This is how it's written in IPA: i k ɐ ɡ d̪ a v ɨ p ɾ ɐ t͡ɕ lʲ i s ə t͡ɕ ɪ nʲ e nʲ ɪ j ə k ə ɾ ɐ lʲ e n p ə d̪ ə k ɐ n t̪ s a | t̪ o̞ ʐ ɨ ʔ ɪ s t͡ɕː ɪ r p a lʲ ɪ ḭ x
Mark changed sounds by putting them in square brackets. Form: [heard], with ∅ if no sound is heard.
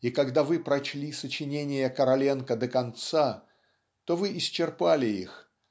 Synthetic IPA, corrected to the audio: i k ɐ ɡ d̪ a v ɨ p ɾ ɐ t͡ɕ lʲ i s ə t͡ɕ ɪ nʲ e nʲ ɪ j ə k ə ɾ ɐ lʲ e n [k] ə d̪ ə k ɐ n t̪ s a | t̪ o̞ [v] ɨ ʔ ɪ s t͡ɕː ɪ r p a lʲ ɪ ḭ x